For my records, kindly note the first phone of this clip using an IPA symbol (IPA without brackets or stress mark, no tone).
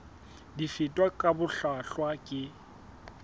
d